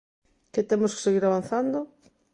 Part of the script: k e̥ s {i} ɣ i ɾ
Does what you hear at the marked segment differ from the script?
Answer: yes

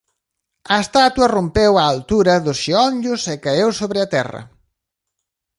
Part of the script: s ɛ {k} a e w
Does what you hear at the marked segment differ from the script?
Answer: no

